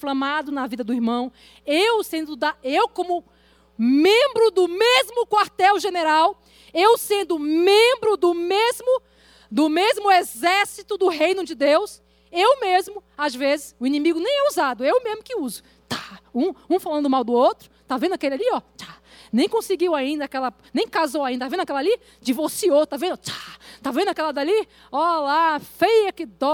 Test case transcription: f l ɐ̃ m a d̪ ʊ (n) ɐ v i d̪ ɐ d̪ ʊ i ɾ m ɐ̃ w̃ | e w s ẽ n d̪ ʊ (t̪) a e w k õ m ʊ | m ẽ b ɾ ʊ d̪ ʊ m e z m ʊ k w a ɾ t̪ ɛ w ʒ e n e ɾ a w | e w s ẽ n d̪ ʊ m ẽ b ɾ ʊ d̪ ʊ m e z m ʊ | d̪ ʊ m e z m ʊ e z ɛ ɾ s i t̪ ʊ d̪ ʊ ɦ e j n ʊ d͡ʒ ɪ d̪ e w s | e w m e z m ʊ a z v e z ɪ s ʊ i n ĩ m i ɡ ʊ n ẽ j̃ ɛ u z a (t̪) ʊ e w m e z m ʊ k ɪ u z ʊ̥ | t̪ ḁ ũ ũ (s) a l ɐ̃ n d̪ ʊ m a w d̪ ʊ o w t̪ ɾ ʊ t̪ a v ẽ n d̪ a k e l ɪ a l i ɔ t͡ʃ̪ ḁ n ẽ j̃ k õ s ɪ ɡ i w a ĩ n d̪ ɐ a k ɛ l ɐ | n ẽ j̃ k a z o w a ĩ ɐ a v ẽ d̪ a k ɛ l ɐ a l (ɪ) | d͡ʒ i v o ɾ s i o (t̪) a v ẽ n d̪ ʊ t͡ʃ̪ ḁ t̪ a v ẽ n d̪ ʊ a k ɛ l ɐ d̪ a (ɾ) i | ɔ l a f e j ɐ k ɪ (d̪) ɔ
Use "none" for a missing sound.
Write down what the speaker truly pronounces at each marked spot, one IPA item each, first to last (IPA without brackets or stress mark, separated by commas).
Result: n, d̪, d̪, f, i, t̪, l, d̪